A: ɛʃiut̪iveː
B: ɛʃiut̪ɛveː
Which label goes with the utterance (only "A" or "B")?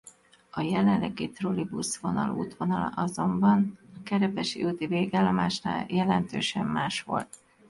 A